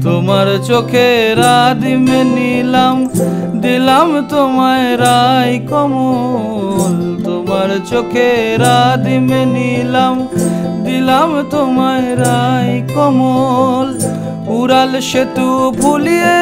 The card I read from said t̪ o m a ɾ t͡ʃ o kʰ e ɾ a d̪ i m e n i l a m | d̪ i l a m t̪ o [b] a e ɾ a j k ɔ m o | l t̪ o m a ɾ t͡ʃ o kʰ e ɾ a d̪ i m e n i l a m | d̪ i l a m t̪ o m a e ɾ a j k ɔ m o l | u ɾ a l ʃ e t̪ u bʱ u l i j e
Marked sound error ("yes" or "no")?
yes